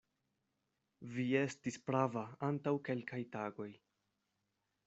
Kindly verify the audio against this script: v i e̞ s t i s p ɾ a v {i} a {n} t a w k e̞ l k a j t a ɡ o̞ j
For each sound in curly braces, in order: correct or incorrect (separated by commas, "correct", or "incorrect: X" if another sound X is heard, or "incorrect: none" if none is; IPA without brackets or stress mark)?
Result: incorrect: a, correct